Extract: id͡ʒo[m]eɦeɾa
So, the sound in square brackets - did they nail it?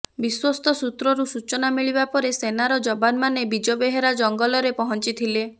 no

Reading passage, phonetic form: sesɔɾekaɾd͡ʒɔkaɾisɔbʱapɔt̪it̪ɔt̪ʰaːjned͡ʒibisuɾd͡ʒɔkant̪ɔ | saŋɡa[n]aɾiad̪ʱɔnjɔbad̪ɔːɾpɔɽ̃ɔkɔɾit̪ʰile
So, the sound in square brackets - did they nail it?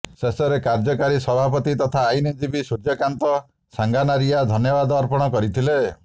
yes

